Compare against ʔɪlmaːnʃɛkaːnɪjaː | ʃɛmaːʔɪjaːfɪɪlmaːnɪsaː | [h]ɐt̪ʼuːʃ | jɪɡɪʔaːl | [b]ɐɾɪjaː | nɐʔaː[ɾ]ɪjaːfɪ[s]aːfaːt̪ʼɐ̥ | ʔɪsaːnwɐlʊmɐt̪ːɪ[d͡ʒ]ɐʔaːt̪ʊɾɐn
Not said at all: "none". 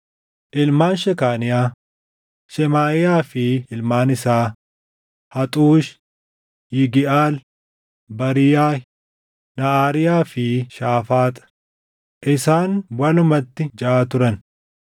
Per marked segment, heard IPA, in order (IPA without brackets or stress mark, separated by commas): h, b, ɾ, ʃ, d͡ʒ